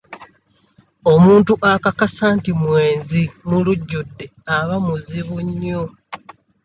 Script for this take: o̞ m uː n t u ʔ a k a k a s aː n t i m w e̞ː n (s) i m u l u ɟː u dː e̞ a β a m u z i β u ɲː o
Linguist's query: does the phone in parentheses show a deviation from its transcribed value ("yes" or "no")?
yes